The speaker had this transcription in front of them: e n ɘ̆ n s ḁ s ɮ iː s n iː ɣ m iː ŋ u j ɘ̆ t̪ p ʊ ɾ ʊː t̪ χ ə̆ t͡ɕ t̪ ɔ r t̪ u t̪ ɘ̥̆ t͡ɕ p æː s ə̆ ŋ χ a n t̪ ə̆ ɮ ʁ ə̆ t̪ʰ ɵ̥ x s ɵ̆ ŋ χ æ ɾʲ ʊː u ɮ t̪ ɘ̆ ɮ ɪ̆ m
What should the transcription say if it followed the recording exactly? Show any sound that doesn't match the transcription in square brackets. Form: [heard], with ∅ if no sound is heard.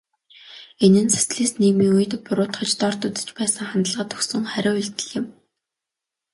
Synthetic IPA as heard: e n ɘ̆ n s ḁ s ɮ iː s n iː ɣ m iː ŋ u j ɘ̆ t̪ p ʊ ɾ ʊː t̪ χ ə̆ t͡ɕ t̪ ɔ r t̪ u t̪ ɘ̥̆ t͡ɕ p æː s ə̆ ŋ χ a n t̪ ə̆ ɮ ʁ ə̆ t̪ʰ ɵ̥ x s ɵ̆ ŋ χ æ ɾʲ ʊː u ɮ t̪ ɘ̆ ɮ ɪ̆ m